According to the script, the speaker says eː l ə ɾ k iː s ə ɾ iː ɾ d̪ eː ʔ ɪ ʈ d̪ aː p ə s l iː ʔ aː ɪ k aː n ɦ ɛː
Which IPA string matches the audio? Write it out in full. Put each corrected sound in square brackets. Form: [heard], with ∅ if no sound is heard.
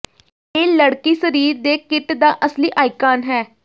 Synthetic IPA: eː l ə [ɽ] k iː s ə ɾ iː ɾ d̪ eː [k] ɪ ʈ d̪ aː [ʔ] ə s l iː ʔ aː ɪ k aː n ɦ ɛː